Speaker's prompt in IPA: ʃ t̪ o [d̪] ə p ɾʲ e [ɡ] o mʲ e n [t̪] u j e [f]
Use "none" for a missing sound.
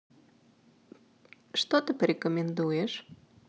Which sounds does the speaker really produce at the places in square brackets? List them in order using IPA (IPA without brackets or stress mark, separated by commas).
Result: t̪, k, d̪, ʃ